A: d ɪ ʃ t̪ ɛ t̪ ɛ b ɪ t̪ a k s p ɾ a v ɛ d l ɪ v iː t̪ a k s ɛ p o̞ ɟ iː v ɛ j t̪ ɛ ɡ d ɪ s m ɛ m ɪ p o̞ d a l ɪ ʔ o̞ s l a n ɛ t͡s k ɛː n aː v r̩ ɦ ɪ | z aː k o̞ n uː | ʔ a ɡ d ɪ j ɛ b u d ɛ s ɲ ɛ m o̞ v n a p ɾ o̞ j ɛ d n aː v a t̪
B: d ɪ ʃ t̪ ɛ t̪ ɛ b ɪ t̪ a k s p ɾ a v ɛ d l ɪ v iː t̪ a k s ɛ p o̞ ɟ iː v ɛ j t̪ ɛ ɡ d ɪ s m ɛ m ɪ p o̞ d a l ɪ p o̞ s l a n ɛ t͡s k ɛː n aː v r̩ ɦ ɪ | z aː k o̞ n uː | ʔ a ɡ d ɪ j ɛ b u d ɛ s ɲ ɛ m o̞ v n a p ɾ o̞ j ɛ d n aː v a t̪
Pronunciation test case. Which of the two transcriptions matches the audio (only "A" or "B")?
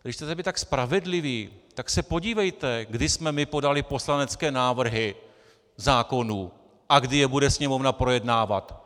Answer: B